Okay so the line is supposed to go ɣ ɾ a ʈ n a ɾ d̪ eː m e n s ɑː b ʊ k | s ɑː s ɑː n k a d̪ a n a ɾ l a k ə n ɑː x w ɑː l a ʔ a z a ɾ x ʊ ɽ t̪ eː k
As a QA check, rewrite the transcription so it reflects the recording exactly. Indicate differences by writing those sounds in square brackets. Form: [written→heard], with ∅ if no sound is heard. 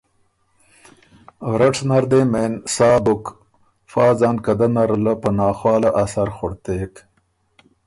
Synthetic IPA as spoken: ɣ ɾ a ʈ n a ɾ d̪ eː m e n s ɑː b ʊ k | [s→f] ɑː [s→z] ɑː n k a d̪ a n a ɾ l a [k→p] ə n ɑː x w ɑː l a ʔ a [z→s] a ɾ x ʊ ɽ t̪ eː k